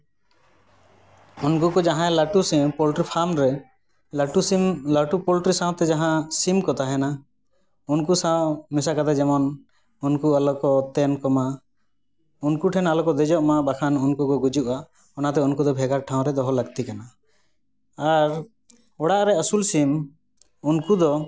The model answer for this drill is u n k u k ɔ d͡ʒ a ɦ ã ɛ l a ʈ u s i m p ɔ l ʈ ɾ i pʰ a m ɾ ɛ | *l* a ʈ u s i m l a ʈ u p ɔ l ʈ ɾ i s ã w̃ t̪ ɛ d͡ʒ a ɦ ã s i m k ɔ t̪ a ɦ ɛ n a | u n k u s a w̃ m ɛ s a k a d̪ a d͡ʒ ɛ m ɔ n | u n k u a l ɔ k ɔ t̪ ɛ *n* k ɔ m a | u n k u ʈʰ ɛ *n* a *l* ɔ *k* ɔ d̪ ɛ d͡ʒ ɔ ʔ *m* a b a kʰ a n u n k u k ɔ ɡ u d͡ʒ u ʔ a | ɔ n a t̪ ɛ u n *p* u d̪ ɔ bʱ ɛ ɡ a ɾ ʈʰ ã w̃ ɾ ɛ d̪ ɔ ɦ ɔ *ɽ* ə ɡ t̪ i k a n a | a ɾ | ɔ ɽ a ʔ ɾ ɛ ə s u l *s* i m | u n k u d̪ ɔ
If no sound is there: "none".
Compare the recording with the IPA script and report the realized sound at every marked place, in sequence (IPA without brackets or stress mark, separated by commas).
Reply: l, n, n, l, k, m, k, l, s